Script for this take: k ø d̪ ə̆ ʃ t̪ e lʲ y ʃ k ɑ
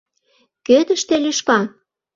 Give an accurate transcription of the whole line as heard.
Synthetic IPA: k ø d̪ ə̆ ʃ t̪ e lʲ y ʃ k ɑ

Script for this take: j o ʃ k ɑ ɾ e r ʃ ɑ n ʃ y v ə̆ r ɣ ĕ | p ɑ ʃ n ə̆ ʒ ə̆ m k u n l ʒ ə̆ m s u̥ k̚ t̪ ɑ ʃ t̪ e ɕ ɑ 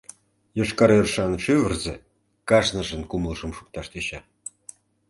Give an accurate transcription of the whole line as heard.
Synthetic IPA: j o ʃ k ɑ ɾ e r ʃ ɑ n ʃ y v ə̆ r z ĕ | k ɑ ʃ n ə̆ ʒ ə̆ n k u m l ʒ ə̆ m ʃ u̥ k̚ t̪ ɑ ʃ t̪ e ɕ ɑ

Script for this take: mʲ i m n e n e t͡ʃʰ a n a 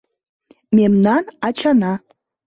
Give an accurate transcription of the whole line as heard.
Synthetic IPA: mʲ e m n a n a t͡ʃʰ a n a

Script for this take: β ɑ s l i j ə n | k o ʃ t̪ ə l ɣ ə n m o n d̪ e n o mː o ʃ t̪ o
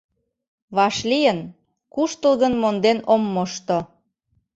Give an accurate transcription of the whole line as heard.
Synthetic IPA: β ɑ ʃ l i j ə n | k u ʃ t̪ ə l ɣ ə n m o n d̪ e n o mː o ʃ t̪ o

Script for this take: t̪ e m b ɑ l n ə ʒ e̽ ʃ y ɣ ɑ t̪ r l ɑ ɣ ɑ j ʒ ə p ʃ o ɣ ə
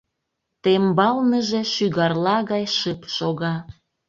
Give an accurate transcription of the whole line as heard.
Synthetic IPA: t̪ e m b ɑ l n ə ʒ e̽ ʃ y ɣ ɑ r l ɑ ɣ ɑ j ʃ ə p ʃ o ɣ ɑ

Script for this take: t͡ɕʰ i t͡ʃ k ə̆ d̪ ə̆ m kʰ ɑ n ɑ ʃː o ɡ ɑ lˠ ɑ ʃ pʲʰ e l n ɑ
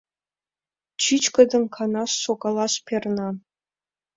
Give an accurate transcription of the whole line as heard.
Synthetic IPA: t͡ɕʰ i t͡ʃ k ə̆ d̪ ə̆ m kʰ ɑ n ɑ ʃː o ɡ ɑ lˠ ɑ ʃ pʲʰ e r n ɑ

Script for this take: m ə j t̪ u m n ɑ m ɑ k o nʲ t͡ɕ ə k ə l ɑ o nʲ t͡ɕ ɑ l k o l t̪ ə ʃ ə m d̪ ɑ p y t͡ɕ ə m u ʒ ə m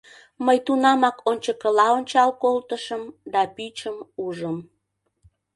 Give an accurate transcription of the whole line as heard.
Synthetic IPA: m ə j t̪ u n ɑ m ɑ k o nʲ t͡ɕ ə k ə l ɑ o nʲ t͡ɕ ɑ l k o l t̪ ə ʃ ə m d̪ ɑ p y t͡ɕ ə m u ʒ ə m

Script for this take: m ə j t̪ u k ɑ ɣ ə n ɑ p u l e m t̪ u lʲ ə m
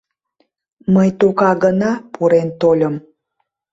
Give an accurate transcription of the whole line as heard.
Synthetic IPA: m ə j t̪ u k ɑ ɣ ə n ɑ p u ɾ e n t̪ o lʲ ə m

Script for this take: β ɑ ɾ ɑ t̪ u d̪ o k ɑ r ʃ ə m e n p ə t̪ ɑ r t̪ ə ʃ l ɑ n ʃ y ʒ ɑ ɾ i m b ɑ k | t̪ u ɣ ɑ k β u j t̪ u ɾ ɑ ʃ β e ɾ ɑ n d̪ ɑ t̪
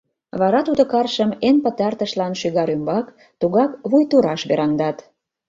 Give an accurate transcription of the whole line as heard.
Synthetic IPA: β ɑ ɾ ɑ t̪ u d̪ o k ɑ r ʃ ə m e n p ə t̪ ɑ r t̪ ə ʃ l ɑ n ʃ y ɣ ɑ ɾ y m b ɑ k | t̪ u ɣ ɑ k β u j t̪ u ɾ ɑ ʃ β e ɾ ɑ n d̪ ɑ t̪

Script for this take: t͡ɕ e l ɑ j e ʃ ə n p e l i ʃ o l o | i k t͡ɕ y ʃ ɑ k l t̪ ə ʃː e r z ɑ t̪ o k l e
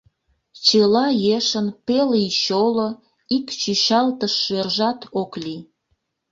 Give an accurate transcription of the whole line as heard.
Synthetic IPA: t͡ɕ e l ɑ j e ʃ ə n p e l i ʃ o l o | i k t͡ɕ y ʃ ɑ l t̪ ə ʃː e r ʒ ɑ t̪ o k l i

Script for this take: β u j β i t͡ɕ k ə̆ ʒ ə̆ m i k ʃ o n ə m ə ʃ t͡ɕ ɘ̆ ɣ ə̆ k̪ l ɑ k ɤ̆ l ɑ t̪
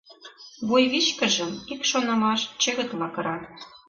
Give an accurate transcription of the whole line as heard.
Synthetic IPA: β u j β i t͡ɕ k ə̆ ʒ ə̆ m i k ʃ o n ɑ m ɑ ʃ t͡ɕ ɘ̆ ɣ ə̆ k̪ l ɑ k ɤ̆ ɾ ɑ t̪

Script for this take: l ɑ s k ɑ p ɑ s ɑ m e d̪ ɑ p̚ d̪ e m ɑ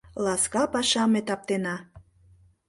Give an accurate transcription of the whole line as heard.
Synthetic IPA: l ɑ s k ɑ p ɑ ʃ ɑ m e t̪ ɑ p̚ t̪ e n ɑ

